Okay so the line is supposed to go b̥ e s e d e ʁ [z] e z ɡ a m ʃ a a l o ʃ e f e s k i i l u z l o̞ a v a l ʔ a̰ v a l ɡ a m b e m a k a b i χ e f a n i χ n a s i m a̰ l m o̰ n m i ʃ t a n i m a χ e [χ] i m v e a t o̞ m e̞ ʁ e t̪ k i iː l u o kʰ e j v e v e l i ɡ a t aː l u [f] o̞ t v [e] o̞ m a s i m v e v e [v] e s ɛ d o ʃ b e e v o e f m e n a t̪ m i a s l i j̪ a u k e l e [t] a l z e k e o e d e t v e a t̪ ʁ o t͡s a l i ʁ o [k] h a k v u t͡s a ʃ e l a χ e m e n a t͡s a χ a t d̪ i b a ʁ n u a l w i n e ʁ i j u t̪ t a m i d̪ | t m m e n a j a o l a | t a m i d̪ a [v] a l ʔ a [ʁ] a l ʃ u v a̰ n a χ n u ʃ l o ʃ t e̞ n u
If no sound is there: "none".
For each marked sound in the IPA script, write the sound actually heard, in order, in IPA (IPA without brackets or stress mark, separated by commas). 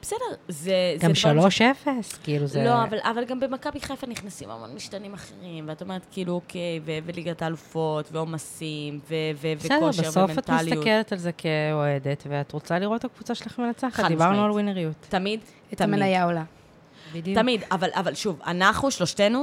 z, ʁ, f, e, v, t, t, v, v